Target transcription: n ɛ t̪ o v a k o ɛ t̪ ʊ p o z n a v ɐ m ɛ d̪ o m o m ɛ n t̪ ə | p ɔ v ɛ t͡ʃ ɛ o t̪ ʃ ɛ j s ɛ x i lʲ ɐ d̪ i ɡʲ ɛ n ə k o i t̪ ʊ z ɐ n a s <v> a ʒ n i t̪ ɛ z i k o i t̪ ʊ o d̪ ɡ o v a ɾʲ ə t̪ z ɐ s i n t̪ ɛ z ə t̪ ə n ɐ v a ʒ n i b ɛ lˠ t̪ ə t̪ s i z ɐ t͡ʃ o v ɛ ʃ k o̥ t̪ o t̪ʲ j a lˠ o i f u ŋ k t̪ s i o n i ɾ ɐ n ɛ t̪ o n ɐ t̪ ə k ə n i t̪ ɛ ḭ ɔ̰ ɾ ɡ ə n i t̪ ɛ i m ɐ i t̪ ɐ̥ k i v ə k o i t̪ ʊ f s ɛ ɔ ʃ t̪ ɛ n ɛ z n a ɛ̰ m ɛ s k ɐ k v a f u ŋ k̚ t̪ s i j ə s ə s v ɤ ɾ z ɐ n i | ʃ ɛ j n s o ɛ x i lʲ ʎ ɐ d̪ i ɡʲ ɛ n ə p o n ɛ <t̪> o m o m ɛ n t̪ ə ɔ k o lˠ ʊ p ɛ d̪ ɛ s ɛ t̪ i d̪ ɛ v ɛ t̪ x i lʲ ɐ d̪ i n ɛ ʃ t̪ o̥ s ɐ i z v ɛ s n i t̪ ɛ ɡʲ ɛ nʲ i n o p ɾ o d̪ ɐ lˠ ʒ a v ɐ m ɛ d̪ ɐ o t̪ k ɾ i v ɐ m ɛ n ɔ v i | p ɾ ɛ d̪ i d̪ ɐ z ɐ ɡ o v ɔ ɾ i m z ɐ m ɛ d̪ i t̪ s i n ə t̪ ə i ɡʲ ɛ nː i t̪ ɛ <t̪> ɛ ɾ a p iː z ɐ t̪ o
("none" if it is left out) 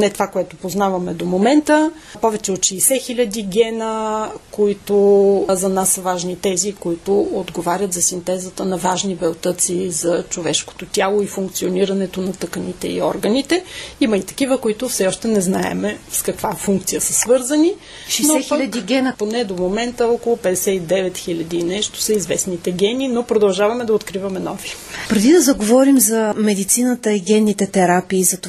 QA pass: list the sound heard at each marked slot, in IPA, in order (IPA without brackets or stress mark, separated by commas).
v, d̪, t̪